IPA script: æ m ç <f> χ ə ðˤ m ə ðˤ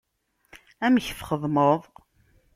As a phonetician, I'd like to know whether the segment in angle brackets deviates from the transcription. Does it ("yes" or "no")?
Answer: no